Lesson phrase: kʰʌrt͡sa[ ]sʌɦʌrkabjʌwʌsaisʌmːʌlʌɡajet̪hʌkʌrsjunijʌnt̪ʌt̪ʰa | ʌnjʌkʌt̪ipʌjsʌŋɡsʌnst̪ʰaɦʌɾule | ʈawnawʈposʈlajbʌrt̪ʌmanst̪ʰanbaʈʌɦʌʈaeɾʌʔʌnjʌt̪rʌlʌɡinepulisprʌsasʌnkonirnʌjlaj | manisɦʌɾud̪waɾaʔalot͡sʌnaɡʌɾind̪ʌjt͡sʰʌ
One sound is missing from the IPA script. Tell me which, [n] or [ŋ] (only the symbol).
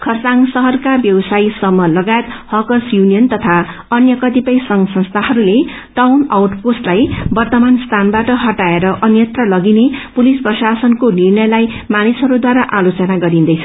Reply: ŋ